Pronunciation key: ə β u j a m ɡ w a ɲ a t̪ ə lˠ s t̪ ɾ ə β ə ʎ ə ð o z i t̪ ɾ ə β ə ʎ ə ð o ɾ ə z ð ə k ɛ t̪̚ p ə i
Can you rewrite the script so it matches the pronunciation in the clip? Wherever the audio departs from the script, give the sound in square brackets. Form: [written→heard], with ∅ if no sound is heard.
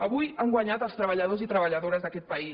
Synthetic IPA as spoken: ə β u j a [m→ŋ] ɡ w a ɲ a t̪ ə lˠ s t̪ ɾ ə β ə ʎ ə ð o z i t̪ ɾ ə β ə ʎ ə ð o ɾ ə z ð ə k ɛ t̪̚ p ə i